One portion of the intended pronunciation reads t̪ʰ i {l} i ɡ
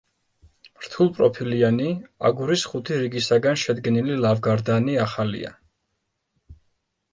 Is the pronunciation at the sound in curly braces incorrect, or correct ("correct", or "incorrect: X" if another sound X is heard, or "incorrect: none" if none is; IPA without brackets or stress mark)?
incorrect: ɾ